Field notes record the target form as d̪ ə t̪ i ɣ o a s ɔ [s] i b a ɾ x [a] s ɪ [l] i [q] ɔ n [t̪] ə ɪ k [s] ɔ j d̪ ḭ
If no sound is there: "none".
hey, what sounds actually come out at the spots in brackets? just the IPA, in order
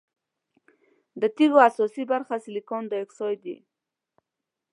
s, a, l, k, d̪, s

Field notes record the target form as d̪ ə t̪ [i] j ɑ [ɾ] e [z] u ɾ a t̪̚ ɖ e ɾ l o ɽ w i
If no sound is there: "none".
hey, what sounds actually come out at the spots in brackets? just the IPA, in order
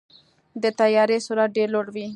a, ɾ, s

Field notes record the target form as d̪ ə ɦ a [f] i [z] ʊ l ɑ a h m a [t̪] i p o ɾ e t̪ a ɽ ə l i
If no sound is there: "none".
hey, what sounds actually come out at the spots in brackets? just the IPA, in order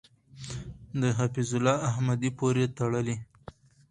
f, z, d̪

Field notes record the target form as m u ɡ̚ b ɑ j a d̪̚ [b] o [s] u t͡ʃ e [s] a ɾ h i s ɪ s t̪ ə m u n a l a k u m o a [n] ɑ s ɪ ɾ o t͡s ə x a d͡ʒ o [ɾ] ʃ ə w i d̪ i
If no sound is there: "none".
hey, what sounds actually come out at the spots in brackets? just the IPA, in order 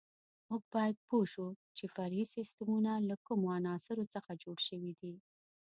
p, ʃ, f, n, ɽ

